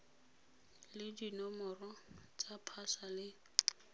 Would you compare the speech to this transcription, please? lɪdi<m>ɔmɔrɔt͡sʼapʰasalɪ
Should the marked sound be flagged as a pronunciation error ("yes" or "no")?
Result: yes